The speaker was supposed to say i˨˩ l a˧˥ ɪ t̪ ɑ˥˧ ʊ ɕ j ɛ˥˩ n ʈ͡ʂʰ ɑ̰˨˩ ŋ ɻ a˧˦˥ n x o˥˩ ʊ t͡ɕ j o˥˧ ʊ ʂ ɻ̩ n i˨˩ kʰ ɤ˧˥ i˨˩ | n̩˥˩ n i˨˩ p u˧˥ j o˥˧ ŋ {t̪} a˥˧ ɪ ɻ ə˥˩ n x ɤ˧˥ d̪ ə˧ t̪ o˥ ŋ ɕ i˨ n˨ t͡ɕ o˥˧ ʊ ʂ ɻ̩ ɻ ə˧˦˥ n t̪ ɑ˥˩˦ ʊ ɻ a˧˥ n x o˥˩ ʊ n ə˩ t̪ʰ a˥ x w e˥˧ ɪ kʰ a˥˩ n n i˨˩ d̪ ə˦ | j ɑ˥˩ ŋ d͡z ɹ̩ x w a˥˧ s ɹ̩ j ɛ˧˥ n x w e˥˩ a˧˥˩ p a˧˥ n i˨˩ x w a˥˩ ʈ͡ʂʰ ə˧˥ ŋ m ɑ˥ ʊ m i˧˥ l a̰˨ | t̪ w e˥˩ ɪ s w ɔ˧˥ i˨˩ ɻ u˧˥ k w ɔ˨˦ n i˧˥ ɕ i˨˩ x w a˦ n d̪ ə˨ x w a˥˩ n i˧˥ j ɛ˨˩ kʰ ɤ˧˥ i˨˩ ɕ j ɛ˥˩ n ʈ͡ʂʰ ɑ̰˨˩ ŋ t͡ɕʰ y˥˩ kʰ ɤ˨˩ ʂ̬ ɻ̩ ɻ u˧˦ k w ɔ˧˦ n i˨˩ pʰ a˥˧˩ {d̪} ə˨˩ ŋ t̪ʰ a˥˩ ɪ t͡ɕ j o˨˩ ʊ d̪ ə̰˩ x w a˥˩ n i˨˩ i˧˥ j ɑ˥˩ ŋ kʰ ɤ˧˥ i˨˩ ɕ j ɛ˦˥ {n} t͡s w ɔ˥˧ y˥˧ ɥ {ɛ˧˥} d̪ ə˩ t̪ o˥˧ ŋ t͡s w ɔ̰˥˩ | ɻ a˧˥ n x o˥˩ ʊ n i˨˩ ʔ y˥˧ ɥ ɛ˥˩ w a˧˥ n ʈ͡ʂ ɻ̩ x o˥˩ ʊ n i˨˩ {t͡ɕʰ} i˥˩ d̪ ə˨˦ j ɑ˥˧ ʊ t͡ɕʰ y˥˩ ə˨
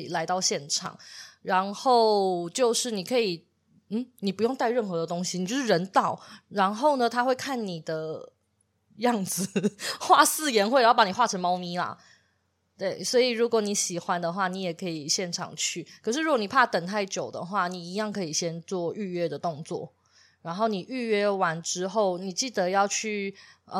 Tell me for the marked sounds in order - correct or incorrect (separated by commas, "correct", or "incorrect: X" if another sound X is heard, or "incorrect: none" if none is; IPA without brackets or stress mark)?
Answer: correct, incorrect: t̪, correct, incorrect: ɛ˥˧, incorrect: t͡ɕ